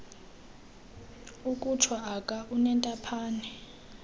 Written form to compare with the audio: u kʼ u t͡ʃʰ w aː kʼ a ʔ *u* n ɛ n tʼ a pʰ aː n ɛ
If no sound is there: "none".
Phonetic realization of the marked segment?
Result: u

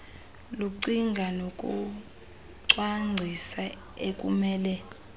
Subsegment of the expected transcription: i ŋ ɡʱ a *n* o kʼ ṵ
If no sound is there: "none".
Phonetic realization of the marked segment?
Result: n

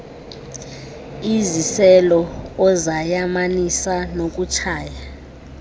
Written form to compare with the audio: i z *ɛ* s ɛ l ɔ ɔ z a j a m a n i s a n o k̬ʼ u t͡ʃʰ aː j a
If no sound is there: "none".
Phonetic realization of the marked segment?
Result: i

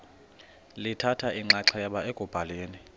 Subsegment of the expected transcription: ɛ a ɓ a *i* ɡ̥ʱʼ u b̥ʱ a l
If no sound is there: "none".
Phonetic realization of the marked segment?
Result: e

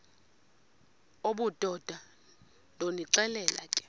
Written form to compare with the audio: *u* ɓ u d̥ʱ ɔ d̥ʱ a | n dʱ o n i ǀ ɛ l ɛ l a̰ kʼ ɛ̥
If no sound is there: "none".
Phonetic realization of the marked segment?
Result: o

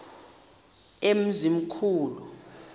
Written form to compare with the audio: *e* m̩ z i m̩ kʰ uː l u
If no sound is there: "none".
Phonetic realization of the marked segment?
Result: e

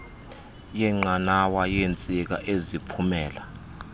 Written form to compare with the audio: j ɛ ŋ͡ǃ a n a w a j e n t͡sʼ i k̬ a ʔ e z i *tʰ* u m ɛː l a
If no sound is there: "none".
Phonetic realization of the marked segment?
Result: pʰ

